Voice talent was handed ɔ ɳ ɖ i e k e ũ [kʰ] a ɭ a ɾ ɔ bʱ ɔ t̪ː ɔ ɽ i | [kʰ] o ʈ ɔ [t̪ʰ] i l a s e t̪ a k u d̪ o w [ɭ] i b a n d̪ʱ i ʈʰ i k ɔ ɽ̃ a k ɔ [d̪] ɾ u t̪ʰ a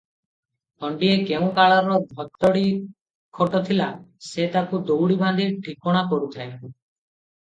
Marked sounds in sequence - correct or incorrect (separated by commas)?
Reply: incorrect, correct, correct, incorrect, incorrect